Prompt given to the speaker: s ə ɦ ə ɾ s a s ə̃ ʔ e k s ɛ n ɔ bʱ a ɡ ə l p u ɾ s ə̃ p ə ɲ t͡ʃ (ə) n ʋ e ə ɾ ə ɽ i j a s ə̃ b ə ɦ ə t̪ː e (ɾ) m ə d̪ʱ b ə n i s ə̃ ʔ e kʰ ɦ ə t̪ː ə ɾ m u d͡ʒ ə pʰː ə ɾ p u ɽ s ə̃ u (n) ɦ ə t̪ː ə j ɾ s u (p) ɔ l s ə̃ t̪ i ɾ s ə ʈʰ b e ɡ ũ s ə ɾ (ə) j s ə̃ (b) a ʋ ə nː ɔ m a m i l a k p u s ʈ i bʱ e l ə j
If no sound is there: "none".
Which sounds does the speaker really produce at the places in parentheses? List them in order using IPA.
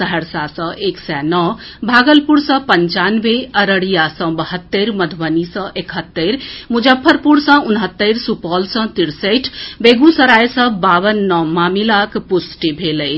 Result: a, ɾ, n, p, a, b

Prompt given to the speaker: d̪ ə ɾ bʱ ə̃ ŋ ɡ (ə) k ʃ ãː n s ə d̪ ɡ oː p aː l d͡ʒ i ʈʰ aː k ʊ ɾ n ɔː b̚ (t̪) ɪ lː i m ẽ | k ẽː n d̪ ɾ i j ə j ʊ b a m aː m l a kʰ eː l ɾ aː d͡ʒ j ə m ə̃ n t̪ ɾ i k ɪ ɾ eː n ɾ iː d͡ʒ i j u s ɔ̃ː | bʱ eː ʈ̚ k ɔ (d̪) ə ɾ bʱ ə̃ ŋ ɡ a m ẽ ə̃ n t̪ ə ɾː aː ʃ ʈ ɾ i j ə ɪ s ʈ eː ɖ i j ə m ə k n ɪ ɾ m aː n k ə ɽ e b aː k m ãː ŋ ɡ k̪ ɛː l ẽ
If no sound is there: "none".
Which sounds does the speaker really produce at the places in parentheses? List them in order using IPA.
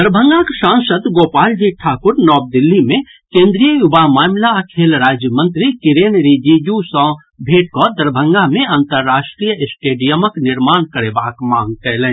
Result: a, d̪, d̪

